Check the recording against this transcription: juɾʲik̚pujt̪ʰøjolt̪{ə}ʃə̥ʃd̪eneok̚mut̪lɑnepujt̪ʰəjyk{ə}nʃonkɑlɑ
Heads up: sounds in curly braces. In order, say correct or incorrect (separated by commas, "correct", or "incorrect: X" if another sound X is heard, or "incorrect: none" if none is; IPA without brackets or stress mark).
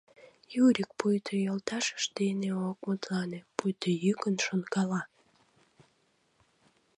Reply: incorrect: ɑ, correct